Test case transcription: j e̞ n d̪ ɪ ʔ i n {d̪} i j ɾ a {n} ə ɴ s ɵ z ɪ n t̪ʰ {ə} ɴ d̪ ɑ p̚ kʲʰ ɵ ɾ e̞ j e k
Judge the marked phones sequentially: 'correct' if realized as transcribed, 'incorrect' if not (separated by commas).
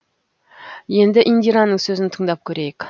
correct, incorrect, correct